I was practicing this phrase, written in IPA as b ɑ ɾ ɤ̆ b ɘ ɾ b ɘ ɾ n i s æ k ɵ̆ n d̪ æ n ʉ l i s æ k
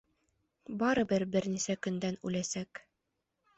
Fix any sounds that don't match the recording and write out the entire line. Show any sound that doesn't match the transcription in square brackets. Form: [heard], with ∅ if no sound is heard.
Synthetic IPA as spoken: b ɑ ɾ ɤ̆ b ɘ ɾ b ɘ ɾ n i s æ k ɵ̆ n d̪ æ n ʉ l [æ] s æ k